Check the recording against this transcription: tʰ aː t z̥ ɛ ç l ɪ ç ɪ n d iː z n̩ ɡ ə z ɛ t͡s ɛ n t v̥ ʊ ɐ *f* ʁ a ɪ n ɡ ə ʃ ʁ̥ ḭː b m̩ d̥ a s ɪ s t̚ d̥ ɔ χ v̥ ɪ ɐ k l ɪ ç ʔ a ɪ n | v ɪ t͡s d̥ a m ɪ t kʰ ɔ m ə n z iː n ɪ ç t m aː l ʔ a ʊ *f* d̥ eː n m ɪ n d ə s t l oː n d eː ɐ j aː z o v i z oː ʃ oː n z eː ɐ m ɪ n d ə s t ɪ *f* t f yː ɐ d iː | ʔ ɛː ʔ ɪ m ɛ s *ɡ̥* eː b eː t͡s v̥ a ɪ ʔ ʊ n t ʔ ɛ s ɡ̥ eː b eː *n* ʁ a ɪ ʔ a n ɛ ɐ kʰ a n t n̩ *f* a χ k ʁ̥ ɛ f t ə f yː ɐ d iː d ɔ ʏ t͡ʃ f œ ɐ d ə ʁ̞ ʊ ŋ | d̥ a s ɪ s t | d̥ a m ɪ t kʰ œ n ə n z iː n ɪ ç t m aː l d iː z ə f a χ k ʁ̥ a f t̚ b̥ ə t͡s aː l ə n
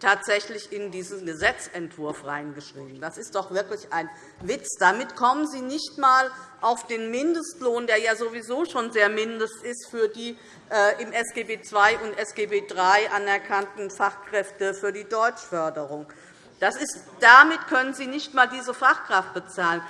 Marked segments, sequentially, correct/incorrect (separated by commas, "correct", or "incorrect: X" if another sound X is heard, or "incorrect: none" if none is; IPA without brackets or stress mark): correct, correct, incorrect: s, correct, incorrect: d, correct